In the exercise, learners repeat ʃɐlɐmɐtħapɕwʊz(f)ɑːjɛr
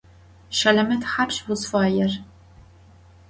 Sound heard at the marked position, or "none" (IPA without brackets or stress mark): f